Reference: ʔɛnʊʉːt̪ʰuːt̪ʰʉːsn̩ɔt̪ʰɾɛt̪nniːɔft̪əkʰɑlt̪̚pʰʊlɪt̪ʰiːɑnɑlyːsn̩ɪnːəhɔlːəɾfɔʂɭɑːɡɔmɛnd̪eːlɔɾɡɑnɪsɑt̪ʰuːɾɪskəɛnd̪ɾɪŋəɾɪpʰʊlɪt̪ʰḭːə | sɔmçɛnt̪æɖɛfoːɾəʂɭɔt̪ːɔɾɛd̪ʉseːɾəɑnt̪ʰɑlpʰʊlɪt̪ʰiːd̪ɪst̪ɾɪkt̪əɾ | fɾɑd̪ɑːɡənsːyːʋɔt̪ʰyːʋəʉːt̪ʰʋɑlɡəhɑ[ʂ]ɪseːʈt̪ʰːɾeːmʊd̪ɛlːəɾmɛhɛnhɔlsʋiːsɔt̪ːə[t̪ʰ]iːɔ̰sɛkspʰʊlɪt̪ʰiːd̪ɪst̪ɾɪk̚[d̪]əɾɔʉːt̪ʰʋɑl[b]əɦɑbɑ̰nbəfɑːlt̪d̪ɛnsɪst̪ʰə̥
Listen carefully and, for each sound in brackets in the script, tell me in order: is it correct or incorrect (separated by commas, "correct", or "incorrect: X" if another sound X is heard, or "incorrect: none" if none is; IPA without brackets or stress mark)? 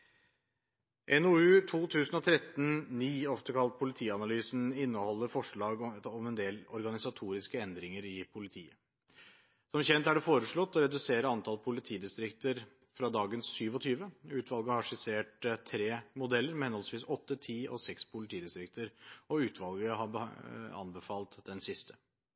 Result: correct, correct, incorrect: t̪, incorrect: ɡ